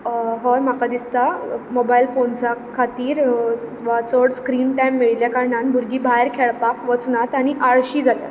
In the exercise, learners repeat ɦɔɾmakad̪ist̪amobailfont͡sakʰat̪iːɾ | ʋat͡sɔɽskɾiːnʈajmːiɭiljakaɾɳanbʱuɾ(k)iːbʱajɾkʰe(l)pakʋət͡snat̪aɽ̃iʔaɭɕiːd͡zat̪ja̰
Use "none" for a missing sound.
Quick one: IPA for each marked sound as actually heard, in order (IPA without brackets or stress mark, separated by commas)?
ɡ, ɭ